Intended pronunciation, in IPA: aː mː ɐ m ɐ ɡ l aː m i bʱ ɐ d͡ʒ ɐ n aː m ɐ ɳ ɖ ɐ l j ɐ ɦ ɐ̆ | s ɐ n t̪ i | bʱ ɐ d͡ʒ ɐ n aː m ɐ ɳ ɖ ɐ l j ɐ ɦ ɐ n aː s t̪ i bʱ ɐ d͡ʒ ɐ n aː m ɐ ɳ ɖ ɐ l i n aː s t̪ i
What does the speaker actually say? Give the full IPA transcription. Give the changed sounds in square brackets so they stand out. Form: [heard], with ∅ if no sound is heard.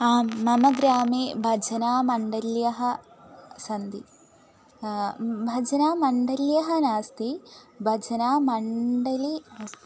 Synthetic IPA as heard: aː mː ɐ m ɐ ɡ [ɾ] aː m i bʱ ɐ d͡ʒ ɐ n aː m ɐ ɳ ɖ ɐ l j ɐ ɦ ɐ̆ | s ɐ n [d̪] i | bʱ ɐ d͡ʒ ɐ n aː m ɐ ɳ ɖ ɐ l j ɐ ɦ ɐ n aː s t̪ i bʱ ɐ d͡ʒ ɐ n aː m ɐ ɳ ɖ ɐ l i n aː s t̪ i